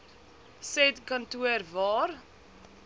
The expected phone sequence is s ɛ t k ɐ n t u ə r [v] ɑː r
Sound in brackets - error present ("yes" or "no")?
no